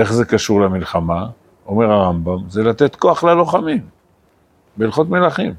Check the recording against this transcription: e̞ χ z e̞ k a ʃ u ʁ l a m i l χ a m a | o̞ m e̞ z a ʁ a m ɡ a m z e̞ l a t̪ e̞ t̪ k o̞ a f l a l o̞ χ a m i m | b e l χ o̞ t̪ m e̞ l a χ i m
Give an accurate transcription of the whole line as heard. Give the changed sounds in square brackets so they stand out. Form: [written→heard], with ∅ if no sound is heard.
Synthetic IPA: e̞ χ z e̞ k a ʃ u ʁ l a m i l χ a m a | o̞ m e̞ [z→ʁ] a ʁ a m [ɡ→b] a m z e̞ l a t̪ e̞ t̪ k o̞ a [f→χ] l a l o̞ χ a m i m | b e l χ o̞ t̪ m e̞ l a χ i m